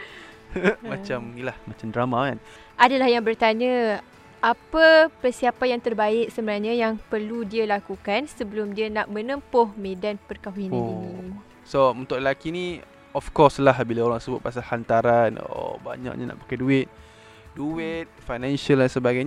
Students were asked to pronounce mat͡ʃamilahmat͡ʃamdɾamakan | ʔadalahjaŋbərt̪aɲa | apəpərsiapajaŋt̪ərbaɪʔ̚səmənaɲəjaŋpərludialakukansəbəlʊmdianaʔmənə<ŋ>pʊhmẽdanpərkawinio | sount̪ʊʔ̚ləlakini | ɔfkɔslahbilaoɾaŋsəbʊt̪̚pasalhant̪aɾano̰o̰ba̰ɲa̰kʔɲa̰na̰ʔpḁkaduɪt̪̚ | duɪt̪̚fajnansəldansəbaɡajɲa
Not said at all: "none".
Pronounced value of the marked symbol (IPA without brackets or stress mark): m